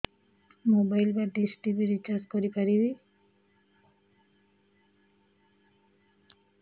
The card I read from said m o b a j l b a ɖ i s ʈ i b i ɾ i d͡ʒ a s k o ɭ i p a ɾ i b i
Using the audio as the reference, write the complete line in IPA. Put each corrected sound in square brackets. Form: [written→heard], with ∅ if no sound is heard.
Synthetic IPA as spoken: m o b a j l b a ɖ i s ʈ i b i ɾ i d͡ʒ a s k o [ɭ→ɾ] i p a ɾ i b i